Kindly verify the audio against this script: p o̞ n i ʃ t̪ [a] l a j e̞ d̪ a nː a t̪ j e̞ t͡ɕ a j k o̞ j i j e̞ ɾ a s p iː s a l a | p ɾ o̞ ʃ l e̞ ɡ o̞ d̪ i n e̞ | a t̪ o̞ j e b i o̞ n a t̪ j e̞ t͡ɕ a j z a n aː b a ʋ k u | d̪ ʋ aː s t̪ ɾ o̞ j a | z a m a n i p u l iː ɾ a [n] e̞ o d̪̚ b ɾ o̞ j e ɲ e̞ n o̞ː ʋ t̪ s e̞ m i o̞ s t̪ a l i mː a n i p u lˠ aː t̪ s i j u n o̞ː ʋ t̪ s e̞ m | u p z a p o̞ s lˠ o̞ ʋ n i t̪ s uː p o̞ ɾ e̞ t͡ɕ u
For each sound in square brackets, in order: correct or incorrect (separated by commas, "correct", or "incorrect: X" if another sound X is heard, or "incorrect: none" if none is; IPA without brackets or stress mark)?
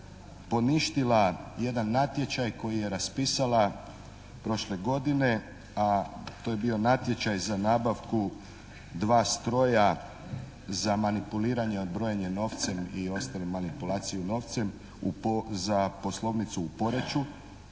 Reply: incorrect: i, incorrect: ɲ